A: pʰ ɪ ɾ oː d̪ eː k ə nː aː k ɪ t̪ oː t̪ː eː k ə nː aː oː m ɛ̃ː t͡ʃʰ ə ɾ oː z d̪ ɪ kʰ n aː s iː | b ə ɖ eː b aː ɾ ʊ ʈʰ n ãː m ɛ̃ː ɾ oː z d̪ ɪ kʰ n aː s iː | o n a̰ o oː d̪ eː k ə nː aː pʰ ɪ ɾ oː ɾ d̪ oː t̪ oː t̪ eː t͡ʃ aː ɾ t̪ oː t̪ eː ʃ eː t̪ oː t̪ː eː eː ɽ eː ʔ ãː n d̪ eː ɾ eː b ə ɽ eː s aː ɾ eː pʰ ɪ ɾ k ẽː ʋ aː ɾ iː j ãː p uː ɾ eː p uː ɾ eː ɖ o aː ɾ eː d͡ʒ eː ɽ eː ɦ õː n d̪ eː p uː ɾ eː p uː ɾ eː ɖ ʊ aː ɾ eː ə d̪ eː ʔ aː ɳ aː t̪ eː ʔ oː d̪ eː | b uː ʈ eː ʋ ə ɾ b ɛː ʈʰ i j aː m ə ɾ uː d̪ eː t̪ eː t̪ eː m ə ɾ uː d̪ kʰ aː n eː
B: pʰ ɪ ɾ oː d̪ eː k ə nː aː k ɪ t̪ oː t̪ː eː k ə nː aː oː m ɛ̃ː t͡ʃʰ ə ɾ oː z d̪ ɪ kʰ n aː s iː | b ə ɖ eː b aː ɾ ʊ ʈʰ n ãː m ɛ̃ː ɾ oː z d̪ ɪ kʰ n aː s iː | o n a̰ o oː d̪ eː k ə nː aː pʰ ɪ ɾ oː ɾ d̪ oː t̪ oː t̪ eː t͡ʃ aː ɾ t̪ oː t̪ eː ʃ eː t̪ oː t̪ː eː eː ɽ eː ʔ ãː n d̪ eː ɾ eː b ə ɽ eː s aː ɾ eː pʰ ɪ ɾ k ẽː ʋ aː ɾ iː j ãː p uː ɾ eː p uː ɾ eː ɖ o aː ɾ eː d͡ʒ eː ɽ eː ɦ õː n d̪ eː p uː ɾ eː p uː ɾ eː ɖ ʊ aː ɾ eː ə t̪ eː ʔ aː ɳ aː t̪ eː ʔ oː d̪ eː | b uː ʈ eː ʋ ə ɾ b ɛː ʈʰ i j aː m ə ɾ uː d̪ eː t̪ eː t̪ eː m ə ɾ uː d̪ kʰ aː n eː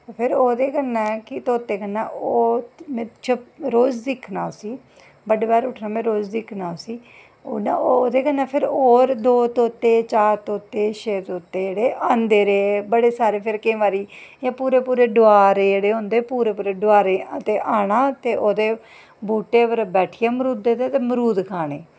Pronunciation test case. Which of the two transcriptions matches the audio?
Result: B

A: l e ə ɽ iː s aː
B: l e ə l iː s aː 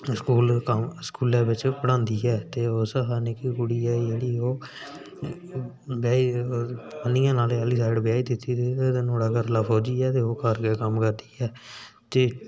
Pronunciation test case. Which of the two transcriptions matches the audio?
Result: B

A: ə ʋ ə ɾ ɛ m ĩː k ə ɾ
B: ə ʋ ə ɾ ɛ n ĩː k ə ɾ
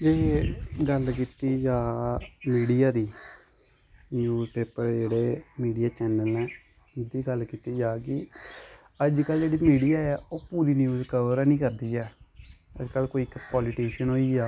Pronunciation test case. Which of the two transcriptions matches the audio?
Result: B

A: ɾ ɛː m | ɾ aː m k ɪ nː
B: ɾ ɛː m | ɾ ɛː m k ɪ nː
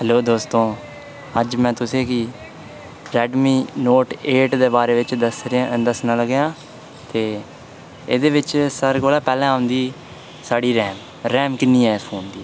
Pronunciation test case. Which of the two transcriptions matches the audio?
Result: B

